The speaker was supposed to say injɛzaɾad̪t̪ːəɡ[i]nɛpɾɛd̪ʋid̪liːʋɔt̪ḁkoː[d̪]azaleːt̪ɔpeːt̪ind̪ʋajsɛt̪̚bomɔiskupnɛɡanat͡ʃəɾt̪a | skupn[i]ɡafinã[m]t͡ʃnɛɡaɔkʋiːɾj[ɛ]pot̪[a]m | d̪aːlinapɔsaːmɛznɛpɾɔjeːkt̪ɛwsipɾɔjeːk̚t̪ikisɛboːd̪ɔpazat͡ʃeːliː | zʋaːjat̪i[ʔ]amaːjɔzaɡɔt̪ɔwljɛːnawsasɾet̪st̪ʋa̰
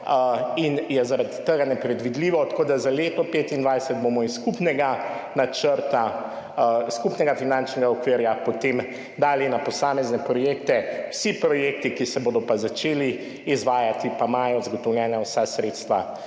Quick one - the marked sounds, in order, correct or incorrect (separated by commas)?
incorrect, correct, incorrect, incorrect, incorrect, incorrect, incorrect